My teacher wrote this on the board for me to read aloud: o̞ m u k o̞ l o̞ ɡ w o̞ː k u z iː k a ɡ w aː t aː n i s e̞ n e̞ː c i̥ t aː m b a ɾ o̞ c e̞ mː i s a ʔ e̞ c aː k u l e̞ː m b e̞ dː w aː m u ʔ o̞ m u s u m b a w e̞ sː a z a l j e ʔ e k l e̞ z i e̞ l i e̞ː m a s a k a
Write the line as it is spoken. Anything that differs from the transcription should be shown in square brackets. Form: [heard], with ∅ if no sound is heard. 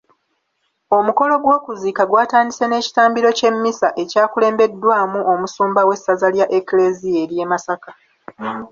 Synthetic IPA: o̞ m u k o̞ l o̞ ɡ w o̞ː k u z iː k a ɡ w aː t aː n i s e̞ n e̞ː c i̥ t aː m b [i] ɾ o̞ c e̞ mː i s a ʔ e̞ c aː k u l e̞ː m b e̞ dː w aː m u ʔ o̞ m u s [uː] m b a w e̞ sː a z a l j [a] ʔ e k l e̞ z i e̞ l [j] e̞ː m a s a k a